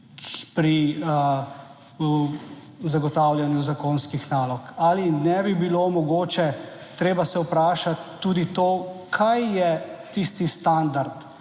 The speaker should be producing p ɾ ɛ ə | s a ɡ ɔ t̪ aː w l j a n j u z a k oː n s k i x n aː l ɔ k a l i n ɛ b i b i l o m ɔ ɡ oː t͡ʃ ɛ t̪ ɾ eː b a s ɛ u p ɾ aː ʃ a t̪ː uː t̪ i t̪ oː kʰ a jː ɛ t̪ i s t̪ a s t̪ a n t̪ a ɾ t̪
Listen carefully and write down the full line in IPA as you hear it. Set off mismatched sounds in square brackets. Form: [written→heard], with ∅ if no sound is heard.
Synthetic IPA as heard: p ɾ [ɛ→i] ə | [s→z] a ɡ ɔ t̪ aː w l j a n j u z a k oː n s k i x n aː l ɔ k a l i n ɛ b i b i l o m ɔ ɡ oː t͡ʃ ɛ t̪ ɾ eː b a s ɛ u p ɾ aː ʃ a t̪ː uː [t̪→d̪] i t̪ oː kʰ a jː ɛ t̪ i s t̪ [a→i] s t̪ a n [t̪→d̪] a ɾ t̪